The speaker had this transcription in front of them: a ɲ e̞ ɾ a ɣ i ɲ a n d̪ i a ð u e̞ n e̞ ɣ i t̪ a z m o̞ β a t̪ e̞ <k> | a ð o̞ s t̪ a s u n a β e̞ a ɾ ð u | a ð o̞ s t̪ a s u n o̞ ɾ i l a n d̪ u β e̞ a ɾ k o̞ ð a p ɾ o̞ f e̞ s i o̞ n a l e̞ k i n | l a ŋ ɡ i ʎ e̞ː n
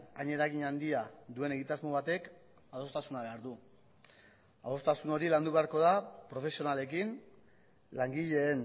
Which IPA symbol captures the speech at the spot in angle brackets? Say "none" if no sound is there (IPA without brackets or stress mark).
k